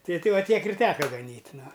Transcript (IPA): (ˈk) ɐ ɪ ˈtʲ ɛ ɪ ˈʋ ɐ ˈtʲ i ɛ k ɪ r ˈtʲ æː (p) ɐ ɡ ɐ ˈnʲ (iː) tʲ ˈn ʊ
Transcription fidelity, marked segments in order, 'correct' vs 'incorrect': incorrect: t, incorrect: k, correct

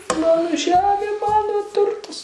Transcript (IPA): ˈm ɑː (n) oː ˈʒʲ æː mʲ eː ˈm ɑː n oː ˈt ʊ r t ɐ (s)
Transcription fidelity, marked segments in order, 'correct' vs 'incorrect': correct, correct

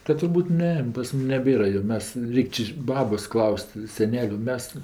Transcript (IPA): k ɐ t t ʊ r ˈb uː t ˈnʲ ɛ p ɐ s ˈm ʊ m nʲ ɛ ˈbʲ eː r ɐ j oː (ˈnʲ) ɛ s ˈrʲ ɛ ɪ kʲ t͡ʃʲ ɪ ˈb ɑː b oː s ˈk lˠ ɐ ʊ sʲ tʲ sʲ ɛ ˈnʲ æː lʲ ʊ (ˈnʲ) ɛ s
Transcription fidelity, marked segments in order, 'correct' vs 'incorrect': incorrect: mʲ, incorrect: mʲ

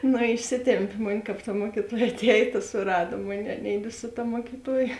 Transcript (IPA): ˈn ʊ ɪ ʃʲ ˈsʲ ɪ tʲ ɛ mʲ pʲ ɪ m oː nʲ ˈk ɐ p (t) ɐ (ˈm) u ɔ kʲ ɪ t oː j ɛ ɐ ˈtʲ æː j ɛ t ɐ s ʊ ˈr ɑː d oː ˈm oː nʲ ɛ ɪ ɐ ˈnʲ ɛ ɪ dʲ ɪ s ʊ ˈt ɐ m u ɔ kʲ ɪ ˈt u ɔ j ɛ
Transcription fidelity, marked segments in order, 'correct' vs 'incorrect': correct, correct

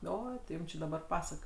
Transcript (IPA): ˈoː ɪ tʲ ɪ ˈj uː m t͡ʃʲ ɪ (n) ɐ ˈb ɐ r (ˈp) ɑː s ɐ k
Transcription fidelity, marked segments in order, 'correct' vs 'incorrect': incorrect: d, correct

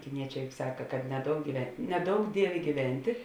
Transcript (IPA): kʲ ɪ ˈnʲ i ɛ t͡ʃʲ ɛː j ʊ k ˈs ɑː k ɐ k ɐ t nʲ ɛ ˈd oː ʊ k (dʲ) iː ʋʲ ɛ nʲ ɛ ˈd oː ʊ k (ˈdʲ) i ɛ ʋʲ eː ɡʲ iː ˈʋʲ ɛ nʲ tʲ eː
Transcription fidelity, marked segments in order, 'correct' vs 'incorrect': incorrect: ɡʲ, correct

